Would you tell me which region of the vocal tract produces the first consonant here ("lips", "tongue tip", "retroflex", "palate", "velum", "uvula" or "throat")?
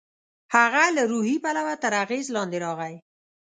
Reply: throat